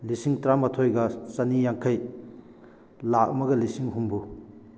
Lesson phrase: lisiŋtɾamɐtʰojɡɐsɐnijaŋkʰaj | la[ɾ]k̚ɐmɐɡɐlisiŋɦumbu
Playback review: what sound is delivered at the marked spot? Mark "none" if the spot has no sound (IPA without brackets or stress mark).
none